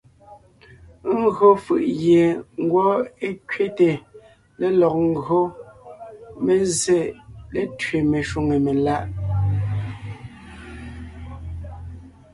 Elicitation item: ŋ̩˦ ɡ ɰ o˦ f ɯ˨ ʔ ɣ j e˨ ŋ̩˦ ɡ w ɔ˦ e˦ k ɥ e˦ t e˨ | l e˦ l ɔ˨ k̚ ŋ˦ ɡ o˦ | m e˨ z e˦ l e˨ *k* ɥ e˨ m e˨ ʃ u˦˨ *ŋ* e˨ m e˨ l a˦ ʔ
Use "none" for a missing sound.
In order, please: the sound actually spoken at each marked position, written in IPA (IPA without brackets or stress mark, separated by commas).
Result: t, ŋ